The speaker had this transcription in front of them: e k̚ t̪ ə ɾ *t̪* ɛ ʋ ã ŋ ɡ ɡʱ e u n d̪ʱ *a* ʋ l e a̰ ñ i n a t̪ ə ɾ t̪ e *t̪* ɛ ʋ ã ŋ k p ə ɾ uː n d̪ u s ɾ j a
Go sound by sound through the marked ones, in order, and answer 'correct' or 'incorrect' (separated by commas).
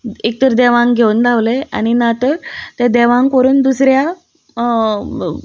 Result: incorrect, correct, incorrect